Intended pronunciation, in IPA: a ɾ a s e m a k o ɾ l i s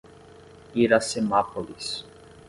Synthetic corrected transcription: i ɾ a s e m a p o l i s